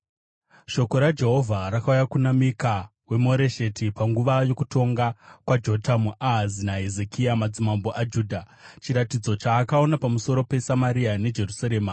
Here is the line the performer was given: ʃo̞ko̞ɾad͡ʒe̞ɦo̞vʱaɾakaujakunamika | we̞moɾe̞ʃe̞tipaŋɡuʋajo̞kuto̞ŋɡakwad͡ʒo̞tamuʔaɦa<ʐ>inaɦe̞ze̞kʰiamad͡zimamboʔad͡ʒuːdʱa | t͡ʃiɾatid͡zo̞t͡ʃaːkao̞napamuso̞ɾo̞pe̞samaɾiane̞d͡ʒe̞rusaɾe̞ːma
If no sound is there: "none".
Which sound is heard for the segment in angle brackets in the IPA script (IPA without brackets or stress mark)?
z